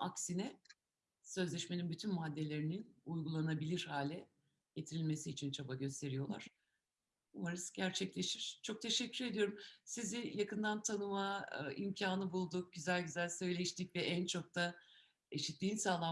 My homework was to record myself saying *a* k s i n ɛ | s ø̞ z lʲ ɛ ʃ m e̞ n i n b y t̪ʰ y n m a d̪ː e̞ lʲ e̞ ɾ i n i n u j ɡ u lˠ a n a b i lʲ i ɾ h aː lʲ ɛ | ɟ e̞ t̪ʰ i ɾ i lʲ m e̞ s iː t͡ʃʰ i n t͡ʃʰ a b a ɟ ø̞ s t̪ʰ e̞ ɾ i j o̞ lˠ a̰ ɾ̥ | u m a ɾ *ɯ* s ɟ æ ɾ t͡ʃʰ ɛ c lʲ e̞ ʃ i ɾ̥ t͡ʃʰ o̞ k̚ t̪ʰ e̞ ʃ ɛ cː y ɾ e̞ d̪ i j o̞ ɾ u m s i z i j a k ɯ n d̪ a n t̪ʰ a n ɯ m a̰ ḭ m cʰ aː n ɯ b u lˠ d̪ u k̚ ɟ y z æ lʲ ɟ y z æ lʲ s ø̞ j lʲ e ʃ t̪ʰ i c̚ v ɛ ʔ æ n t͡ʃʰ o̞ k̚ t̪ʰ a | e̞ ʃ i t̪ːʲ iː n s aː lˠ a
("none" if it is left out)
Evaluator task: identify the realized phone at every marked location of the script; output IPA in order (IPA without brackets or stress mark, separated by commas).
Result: a, ɯ